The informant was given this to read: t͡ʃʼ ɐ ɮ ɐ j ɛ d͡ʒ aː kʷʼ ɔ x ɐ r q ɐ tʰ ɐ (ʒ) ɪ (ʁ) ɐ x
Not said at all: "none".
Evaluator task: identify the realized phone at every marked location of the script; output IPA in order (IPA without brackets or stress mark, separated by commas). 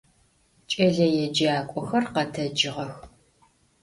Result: d͡ʒ, ʁ